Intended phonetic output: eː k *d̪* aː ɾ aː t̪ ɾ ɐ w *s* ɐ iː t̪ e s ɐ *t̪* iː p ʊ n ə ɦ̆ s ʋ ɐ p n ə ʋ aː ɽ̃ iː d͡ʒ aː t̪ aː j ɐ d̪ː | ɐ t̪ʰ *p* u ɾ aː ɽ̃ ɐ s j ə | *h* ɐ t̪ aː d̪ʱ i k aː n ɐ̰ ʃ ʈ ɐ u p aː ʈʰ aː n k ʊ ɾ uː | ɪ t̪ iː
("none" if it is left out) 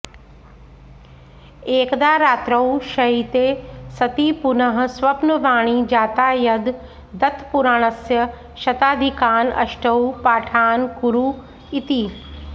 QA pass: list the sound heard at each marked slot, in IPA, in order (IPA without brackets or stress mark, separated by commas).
d̪, ʃ, t̪, p, ʃ